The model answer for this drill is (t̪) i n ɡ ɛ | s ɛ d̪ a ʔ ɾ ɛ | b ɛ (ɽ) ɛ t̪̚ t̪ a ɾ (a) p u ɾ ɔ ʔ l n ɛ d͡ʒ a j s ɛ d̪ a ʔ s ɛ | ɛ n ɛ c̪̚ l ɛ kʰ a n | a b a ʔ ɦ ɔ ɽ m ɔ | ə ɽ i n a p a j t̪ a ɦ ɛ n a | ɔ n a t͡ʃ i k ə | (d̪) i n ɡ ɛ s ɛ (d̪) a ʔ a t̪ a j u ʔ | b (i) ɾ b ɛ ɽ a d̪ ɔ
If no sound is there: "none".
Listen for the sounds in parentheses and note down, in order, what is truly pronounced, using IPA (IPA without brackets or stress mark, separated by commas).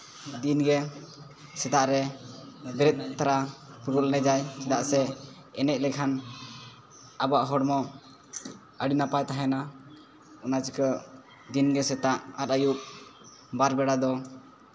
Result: d̪, ɾ, a, d̪, t̪, a